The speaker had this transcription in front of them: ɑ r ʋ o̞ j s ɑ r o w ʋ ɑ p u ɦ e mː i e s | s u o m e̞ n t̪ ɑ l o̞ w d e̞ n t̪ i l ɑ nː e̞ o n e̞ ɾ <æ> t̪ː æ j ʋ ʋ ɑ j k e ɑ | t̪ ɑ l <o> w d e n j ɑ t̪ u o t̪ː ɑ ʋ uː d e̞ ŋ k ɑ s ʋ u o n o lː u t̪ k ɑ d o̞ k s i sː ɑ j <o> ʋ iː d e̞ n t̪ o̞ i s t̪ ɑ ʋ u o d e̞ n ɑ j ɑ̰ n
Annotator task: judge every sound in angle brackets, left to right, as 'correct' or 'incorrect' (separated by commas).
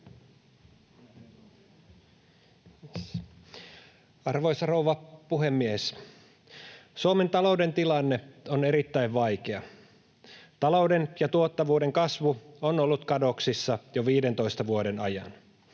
incorrect, correct, correct